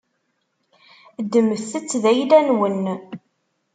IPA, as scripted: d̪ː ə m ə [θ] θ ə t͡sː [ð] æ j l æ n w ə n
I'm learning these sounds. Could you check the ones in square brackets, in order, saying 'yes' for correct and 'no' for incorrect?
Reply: yes, yes

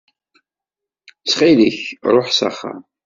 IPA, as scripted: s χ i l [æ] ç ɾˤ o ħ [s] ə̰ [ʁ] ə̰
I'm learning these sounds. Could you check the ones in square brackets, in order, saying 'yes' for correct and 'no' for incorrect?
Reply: no, yes, no

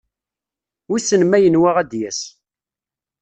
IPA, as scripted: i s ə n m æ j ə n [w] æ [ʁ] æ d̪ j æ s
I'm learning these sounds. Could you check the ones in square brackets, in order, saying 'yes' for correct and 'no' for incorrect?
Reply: yes, yes

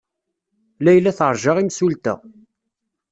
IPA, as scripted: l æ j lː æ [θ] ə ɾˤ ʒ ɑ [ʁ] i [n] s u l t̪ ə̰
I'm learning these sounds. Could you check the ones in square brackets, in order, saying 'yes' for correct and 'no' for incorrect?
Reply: yes, yes, no

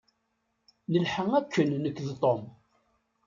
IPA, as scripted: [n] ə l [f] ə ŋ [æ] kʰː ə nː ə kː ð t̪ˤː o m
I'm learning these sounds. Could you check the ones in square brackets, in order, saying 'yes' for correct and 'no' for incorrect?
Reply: yes, no, yes

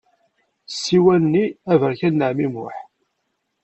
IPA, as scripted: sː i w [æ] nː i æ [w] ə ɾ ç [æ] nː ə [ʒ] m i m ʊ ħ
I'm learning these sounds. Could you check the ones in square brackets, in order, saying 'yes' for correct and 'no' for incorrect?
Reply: yes, no, yes, no

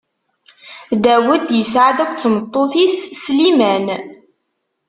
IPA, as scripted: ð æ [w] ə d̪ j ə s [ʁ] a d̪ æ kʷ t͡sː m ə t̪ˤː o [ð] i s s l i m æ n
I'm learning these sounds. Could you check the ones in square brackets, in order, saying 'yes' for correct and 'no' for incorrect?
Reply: yes, no, no

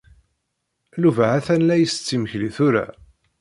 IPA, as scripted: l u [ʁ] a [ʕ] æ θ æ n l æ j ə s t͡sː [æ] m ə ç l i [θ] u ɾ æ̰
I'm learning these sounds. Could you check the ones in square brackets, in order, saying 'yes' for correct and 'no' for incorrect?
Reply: no, yes, no, yes

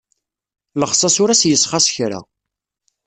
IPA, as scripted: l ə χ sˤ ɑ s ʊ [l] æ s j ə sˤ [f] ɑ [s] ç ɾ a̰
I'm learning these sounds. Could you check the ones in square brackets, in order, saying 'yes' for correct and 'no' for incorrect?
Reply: no, no, yes

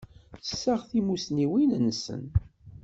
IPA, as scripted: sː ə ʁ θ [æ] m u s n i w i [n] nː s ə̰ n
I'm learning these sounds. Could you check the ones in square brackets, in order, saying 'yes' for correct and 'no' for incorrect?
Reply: no, yes

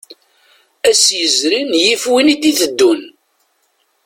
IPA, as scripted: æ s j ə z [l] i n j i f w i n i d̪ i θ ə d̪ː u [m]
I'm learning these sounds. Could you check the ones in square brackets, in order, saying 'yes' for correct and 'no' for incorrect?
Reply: no, no

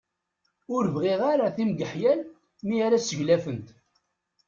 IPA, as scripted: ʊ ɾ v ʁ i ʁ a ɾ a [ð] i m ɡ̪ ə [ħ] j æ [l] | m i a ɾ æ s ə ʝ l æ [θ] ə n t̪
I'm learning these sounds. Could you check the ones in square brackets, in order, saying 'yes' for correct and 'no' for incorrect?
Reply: no, yes, yes, no

